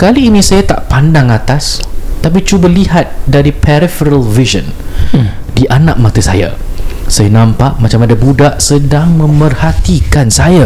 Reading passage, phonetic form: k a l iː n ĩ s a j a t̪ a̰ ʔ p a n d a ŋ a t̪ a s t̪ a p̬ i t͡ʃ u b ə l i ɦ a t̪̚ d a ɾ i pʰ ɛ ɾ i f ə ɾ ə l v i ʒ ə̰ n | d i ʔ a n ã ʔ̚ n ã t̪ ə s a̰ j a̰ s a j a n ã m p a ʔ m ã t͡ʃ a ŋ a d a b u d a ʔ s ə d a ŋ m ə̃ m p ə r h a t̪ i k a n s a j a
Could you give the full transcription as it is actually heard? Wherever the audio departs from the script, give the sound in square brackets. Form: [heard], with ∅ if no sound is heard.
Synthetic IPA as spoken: k a l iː n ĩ s a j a t̪ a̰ ʔ p a n d a ŋ a t̪ a s t̪ a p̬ i t͡ʃ u b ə l i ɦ a t̪̚ d a ɾ i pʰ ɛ ɾ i f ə ɾ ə l v i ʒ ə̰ n | d i ʔ a n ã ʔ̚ [m] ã t̪ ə s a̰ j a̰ s a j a n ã m p a ʔ m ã t͡ʃ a [m] a d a b u d a ʔ s ə d a ŋ m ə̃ m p ə r h a t̪ i k a n s a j a